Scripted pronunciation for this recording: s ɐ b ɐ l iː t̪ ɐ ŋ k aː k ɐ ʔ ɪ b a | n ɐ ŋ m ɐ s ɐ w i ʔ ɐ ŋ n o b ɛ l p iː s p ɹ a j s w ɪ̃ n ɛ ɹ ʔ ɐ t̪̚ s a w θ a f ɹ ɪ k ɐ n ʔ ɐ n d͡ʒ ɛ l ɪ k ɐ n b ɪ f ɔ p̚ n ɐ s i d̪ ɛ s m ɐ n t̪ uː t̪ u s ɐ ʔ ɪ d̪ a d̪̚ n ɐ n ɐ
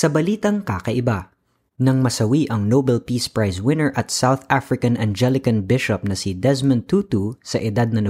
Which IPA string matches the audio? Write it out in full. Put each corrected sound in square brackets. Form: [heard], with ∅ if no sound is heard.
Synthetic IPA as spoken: s ɐ b ɐ l iː t̪ ɐ ŋ k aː k ɐ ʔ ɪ b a | n ɐ ŋ m ɐ s ɐ w i ʔ ɐ ŋ n o b ɛ l p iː s p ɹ a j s w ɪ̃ n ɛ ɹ ʔ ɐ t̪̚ s a w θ a f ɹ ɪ k ɐ n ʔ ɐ n d͡ʒ ɛ l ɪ k ɐ n b ɪ [ʃ] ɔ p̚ n ɐ s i d̪ ɛ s m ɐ n t̪ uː t̪ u s ɐ ʔ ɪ d̪ a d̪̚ n ɐ n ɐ